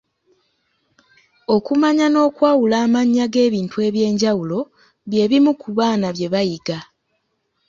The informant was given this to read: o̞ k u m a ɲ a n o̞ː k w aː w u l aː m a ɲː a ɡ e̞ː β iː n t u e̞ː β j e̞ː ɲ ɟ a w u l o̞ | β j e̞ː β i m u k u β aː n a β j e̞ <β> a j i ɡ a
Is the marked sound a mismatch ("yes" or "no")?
no